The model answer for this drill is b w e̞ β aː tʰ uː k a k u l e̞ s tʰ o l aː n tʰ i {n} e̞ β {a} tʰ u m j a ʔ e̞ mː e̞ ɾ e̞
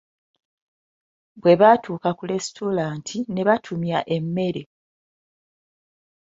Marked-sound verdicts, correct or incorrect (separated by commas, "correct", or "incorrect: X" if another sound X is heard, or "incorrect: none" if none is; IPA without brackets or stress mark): correct, correct